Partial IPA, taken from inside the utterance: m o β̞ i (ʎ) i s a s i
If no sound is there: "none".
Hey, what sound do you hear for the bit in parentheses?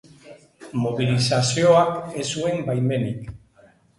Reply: l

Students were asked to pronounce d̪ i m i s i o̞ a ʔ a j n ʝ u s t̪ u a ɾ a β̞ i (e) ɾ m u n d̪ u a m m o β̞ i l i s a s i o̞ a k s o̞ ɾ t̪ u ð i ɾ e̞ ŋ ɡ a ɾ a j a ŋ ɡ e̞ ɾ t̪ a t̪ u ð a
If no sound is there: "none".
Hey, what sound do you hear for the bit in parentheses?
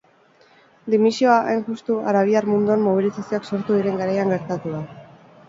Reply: a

